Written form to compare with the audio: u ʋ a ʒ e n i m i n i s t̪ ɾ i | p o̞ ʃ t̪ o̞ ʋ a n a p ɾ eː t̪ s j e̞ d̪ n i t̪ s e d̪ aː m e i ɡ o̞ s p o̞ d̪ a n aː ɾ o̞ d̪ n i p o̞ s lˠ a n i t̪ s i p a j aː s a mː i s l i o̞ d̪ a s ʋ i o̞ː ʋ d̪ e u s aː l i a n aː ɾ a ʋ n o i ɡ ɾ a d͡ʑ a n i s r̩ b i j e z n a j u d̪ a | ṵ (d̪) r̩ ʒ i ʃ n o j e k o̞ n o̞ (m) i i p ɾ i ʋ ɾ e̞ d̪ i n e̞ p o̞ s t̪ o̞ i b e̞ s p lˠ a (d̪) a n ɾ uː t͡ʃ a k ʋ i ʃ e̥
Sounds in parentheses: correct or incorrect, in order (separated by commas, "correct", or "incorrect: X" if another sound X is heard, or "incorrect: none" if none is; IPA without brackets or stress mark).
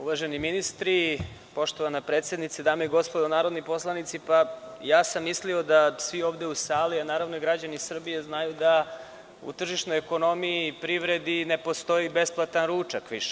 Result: incorrect: t̪, correct, incorrect: t̪